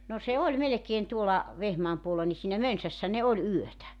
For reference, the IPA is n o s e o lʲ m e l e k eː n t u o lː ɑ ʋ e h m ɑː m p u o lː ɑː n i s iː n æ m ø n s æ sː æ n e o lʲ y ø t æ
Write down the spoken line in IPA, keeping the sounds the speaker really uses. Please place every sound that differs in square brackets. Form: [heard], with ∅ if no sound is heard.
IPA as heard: n o s e o lʲ m e l e k eː n t u o [l] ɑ ʋ e h m ɑː m p u o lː [ɑ] n i s iː n æ m ø n s æ sː æ n e o lʲ y ø t æ